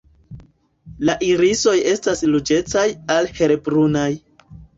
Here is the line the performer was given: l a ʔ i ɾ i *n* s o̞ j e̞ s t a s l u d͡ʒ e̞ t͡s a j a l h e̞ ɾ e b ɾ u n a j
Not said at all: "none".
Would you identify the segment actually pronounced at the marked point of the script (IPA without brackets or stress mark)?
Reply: none